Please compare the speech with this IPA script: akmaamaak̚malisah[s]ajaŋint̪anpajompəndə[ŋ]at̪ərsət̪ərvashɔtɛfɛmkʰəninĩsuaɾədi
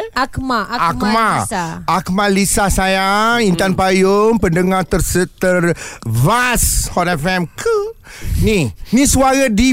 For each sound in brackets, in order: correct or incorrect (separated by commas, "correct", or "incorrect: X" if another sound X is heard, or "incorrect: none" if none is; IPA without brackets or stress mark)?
correct, correct